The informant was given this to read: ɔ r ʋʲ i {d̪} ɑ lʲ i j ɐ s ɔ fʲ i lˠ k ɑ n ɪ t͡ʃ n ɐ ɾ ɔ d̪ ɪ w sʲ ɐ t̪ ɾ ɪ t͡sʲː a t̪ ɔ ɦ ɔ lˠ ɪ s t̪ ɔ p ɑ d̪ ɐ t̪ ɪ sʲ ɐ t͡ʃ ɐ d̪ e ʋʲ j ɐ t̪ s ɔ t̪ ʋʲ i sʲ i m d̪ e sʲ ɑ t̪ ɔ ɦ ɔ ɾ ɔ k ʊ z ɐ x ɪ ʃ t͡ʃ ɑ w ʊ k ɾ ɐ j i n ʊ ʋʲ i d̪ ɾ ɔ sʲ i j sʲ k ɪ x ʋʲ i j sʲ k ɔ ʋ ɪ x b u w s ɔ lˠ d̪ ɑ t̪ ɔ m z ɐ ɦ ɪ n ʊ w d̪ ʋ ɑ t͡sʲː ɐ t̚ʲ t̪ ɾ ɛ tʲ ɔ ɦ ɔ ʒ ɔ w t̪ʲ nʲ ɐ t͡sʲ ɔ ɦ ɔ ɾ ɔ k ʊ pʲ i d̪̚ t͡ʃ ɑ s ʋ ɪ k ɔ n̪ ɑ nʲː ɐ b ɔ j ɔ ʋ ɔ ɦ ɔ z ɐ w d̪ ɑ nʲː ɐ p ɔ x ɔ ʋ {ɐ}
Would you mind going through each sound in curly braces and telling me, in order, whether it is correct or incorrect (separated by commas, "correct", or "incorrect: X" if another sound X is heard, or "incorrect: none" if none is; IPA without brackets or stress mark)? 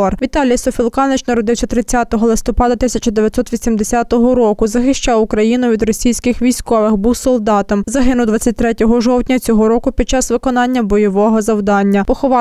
incorrect: t̪, incorrect: ɑ